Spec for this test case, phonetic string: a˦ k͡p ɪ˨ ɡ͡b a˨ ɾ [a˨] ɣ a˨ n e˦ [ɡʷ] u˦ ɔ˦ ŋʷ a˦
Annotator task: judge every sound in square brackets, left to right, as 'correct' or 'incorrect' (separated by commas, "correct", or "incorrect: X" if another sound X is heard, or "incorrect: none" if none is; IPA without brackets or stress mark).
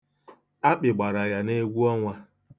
correct, correct